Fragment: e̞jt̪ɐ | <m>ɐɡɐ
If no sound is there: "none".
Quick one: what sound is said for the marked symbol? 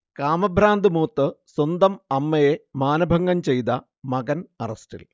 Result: m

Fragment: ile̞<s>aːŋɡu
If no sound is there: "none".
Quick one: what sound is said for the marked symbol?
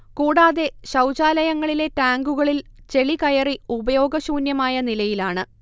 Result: t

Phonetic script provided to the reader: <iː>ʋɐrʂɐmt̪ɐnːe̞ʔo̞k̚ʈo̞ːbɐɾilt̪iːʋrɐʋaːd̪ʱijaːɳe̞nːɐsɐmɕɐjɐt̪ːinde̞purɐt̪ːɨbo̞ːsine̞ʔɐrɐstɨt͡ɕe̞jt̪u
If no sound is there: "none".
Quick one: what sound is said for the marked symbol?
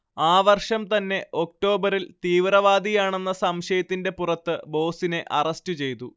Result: aː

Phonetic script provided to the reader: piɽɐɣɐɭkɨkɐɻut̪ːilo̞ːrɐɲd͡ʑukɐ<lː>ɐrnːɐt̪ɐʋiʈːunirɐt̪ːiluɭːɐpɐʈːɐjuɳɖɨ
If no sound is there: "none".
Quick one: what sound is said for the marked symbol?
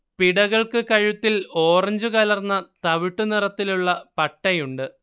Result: l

